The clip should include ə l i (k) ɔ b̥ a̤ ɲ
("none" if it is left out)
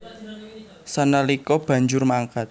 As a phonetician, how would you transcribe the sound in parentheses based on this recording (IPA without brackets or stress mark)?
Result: k